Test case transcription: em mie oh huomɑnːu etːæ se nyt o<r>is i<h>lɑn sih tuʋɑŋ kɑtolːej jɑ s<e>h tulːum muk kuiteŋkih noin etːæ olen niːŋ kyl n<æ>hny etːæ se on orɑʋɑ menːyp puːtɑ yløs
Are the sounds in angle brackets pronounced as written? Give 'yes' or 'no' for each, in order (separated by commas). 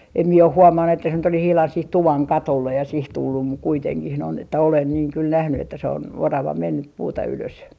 no, yes, no, yes